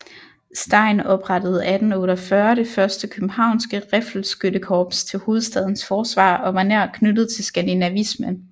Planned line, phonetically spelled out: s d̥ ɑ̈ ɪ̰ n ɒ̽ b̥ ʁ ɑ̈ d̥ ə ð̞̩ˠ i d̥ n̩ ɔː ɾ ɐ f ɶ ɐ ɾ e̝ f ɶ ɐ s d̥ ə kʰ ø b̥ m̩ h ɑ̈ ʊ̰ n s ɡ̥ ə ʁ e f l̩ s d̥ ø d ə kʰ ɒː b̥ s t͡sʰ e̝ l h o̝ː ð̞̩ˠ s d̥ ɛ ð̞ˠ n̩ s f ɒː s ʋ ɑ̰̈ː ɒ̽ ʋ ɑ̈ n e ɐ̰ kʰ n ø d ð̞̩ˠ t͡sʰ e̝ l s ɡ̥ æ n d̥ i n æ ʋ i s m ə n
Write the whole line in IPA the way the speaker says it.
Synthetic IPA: s d̥ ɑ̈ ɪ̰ n ɒ̽ b̥ ʁ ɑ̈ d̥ ə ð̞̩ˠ æ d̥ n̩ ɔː ɾ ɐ f ɶ ɐ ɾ e̝ f ɶ ɐ s d̥ ə kʰ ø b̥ m̩ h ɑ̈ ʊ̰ n s ɡ̥ ə ʁ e f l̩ s ɡ̥ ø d ə kʰ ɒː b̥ s t͡sʰ e̝ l h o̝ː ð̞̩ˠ s d̥ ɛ ð̞ˠ n̩ s f ɒː s ʋ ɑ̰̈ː ɒ̽ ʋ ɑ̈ n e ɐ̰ kʰ n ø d ð̞̩ˠ t͡sʰ e̝ l s ɡ̥ æ n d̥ i n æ ʋ i s m ə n